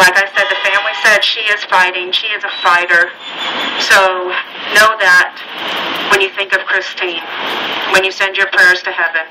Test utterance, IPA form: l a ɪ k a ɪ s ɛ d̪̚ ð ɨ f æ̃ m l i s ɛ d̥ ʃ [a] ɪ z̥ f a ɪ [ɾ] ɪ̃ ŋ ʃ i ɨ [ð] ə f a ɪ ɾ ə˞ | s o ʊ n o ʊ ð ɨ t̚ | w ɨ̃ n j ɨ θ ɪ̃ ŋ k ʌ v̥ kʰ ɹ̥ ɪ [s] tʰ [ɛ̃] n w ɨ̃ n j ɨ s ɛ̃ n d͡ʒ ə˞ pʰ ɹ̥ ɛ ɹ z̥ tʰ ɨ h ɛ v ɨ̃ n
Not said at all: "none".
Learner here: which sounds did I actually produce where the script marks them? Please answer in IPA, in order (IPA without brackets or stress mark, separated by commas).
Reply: i, ɾ, z, s, ĩ